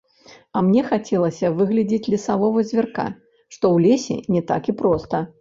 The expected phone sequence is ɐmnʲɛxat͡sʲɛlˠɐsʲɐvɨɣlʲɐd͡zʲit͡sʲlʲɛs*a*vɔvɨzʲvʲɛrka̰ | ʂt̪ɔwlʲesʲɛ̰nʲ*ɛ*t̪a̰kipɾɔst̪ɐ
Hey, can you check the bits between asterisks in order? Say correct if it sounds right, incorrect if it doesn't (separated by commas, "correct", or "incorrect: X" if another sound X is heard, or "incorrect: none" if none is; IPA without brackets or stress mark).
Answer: correct, correct